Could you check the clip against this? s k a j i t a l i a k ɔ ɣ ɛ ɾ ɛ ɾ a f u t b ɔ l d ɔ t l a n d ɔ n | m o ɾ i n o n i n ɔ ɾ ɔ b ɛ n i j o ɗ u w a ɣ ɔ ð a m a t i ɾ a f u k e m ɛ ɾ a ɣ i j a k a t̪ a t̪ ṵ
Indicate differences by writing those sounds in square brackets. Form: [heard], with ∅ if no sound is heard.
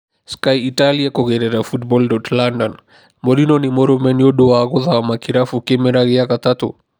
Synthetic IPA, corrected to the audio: s k a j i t a l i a k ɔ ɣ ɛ ɾ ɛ ɾ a f u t b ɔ l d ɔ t l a n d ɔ n | m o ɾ i n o n i [m] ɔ ɾ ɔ [m] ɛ n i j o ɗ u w a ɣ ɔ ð a m a [k] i ɾ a f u k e m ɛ ɾ a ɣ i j a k a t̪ a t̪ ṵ